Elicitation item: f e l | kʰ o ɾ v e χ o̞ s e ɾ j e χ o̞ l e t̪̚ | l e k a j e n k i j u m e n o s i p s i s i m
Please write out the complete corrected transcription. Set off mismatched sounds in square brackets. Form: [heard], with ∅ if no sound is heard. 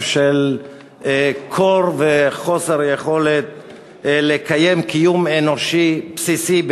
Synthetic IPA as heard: [ʃ] e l | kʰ o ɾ v e χ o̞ s e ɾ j e χ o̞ l e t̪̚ | l e k a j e [m] k i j u m e n o [ʃ] i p s i s i [b]